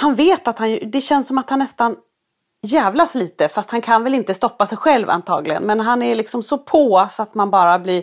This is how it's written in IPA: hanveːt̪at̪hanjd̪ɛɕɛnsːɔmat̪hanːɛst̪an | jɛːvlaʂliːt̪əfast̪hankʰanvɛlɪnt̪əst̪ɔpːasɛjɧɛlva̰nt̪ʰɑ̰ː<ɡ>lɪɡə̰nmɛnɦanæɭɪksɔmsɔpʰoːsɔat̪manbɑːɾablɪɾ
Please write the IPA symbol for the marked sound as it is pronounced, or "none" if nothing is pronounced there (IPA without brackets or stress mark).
ɡ